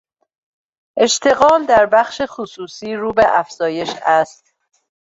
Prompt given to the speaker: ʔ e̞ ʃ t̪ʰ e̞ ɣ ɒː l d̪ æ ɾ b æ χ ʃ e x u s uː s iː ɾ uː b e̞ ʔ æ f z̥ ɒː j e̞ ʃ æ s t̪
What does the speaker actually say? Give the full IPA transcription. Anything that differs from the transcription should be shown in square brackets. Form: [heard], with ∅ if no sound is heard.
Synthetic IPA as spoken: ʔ e̞ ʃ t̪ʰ e̞ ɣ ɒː l d̪ æ ɾ b æ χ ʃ e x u s uː s iː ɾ uː b e̞ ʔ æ f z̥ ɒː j e̞ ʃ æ s t̪